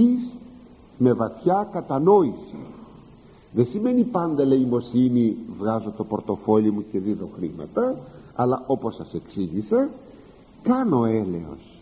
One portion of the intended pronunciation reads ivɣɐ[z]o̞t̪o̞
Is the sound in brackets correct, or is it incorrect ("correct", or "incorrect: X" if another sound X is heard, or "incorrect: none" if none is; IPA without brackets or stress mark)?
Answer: correct